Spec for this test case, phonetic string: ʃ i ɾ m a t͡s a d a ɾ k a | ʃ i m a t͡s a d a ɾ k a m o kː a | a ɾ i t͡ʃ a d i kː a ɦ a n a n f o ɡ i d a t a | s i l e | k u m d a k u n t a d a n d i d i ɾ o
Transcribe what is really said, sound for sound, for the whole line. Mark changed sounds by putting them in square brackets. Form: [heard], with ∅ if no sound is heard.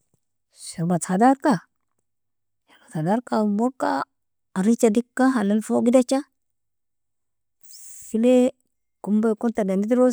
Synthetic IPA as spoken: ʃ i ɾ m a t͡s a d a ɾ k a | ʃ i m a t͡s a d a ɾ k a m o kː a | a ɾ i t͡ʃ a d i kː a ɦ a n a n f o ɡ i d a [t͡ʃ] a | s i l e | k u m [b] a k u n t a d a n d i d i ɾ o

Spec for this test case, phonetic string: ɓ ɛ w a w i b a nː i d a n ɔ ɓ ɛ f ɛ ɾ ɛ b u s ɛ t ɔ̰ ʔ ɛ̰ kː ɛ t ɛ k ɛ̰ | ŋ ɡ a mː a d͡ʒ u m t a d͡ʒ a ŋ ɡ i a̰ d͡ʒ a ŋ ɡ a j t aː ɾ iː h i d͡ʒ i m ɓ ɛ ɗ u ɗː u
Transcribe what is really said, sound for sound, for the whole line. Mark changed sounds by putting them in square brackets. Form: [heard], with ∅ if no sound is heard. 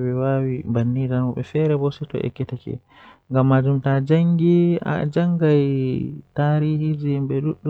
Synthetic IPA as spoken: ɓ ɛ w a w i b a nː i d a n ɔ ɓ ɛ f ɛ ɾ ɛ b [ɔ] s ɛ t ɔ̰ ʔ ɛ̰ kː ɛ t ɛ k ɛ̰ | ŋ ɡ a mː a d͡ʒ u m t a d͡ʒ a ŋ ɡ i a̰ d͡ʒ a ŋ ɡ a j t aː ɾ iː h i d͡ʒ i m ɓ ɛ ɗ u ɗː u

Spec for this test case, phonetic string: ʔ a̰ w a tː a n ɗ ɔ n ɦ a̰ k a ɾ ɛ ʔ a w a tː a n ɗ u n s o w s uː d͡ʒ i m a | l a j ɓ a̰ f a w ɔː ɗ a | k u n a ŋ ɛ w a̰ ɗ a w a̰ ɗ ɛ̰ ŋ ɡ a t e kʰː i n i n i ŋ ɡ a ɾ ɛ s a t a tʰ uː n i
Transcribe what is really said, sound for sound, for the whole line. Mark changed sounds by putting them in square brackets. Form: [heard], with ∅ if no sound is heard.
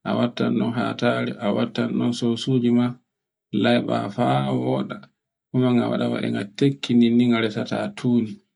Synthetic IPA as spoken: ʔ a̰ w a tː a n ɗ ɔ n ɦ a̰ [t] a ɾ ɛ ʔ a w a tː a n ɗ [ɔ] n s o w s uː d͡ʒ i m a | l a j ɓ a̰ f a w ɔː ɗ a | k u [m] a ŋ [a] w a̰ ɗ a w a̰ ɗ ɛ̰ ŋ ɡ a t e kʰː i n i n i ŋ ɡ a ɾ ɛ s a t a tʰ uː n i

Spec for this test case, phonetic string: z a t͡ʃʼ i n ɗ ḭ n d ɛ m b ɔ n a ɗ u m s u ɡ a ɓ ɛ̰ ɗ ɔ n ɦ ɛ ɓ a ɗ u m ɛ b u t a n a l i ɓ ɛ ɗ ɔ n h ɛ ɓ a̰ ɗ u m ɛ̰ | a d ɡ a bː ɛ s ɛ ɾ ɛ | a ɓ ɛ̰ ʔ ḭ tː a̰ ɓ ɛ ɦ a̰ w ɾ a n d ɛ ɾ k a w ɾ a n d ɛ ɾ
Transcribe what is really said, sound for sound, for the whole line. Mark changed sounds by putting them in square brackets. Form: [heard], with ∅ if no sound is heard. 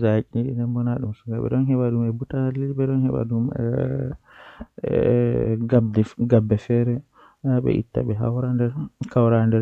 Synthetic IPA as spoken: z a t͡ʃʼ i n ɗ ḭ n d ɛ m b ɔ n a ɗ u m s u ɡ a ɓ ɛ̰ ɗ ɔ n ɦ ɛ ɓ a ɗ u m ɛ b u t a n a l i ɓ ɛ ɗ ɔ n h ɛ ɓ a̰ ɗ u m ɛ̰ | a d ɡ a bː ɛ [f] ɛ ɾ ɛ | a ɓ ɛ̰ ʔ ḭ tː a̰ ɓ ɛ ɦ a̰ w ɾ a n d ɛ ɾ k a w ɾ a n d ɛ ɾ

